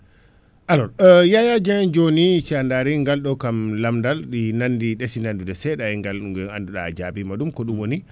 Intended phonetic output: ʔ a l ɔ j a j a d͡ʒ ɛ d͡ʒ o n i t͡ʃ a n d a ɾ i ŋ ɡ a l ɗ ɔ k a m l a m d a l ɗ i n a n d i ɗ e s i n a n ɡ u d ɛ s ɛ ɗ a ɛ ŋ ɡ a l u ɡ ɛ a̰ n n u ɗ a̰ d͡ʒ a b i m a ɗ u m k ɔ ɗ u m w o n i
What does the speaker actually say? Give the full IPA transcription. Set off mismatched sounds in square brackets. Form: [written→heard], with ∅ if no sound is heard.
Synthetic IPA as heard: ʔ a l ɔ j a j a d͡ʒ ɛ d͡ʒ o n i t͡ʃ a n d a ɾ i ŋ ɡ a l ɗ ɔ k a m l a m d a l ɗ i n a n d i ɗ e s i n a n [ɡ→d] u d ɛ s ɛ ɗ a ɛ ŋ ɡ a l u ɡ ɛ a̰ n [n→d] u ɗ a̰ d͡ʒ a b i m a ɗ u m k ɔ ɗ u m w o n i

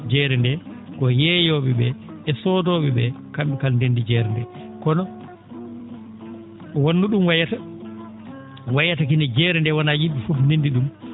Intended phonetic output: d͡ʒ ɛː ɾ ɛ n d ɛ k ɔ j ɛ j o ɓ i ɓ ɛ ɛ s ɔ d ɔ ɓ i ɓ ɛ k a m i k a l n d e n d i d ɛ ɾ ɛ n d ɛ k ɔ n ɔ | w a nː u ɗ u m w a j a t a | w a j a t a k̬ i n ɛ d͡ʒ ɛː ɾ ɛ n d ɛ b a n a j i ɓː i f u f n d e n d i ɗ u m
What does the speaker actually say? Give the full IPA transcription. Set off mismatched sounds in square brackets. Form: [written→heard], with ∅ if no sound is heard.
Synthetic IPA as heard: d͡ʒ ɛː ɾ ɛ n d ɛ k ɔ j ɛ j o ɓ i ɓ ɛ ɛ s ɔ d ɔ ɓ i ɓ ɛ k a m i k a l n d e n d i [d→d͡ʒ] ɛ ɾ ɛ n d ɛ k ɔ n ɔ | w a nː u ɗ u m w a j a t a | w a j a t a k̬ i n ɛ d͡ʒ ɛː ɾ ɛ n d ɛ [b→w] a n a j i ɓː i f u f n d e n d i ɗ u m

